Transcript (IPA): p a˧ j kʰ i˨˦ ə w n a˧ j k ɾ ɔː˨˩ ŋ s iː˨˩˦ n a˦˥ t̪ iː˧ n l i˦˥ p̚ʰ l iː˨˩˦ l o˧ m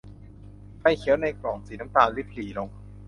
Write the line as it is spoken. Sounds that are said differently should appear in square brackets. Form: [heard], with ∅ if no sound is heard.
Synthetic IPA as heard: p [a˥˩] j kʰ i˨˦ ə w n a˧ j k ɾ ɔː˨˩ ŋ s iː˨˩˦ n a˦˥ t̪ [aː˧] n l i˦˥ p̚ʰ l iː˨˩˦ l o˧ [ŋ]